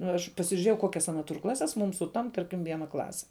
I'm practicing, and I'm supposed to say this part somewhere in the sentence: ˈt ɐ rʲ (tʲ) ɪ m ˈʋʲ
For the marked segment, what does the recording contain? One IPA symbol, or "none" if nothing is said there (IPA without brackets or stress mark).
kʲ